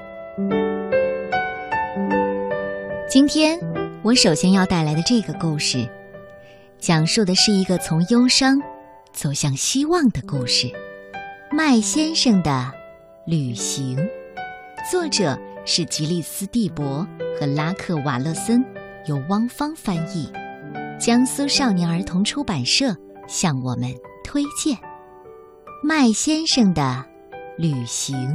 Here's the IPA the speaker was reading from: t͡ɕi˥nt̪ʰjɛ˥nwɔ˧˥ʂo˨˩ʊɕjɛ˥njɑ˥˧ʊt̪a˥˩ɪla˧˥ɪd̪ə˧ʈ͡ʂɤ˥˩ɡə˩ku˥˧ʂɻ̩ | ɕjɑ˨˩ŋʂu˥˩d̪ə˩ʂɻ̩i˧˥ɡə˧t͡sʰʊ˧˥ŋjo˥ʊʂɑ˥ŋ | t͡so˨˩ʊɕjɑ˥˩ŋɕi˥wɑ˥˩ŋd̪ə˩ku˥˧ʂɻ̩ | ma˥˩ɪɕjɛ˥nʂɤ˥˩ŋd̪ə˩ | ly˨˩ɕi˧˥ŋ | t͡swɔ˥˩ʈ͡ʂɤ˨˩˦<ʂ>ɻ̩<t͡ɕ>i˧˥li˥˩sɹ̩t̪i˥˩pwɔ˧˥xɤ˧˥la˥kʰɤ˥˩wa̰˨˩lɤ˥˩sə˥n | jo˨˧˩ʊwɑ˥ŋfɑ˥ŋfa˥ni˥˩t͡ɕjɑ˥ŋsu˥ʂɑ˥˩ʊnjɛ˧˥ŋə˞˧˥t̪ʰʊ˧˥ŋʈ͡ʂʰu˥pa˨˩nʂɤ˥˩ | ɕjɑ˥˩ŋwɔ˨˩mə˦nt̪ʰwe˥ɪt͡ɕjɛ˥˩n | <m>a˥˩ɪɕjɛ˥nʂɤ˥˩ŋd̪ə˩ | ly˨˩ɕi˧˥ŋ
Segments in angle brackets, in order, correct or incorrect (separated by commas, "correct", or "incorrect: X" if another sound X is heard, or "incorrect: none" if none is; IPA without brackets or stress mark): correct, correct, correct